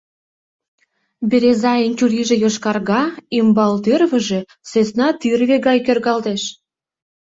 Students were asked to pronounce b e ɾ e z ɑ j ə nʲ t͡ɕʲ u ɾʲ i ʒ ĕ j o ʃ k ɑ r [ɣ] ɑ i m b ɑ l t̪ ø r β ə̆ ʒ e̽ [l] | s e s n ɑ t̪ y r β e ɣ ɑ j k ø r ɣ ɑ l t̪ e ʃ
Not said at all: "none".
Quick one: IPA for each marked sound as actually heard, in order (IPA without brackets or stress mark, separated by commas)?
ɣ, none